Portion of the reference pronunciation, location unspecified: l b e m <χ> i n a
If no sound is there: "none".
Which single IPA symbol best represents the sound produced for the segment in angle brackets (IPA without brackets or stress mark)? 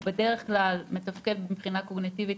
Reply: χ